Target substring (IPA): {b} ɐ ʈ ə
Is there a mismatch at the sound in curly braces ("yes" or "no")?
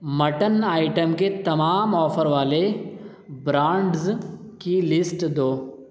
yes